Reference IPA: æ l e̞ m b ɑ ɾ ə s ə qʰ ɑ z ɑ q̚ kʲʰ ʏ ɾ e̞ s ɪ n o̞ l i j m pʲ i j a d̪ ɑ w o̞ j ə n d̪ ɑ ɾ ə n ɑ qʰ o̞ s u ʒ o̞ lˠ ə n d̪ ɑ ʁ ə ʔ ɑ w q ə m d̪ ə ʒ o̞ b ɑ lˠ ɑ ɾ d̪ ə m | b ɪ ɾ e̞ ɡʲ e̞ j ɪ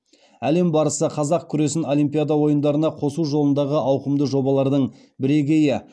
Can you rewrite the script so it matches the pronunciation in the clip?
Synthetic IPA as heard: æ l e̞ m b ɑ ɾ ə s ə qʰ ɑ z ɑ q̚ kʲʰ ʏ ɾ e̞ s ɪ n o̞ l i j m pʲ i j a d̪ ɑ w o̞ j ə n d̪ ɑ ɾ ə n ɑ qʰ o̞ s u ʒ o̞ lˠ ə n d̪ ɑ ʁ ə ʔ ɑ w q ə m d̪ ə ʒ o̞ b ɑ lˠ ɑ ɾ d̪ ə ɴ | b ɪ ɾ e̞ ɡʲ e̞ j ɪ